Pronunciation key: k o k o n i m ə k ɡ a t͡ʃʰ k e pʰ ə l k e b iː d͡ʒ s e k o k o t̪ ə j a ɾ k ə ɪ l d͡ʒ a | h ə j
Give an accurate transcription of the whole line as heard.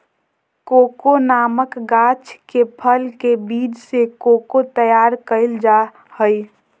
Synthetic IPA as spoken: k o k o n a m ə k ɡ a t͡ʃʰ k e pʰ ə l k e b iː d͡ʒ s e k o k o t̪ ə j a ɾ k ə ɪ l d͡ʒ a | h ə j